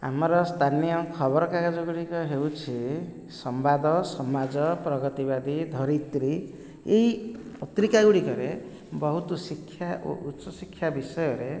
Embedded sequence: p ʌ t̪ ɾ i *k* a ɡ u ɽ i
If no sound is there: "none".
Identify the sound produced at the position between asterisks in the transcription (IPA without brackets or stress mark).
k